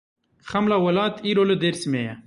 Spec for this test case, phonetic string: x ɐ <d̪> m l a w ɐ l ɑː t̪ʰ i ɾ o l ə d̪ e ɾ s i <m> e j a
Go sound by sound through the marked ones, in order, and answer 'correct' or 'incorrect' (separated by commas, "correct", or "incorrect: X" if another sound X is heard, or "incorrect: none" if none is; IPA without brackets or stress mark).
incorrect: none, correct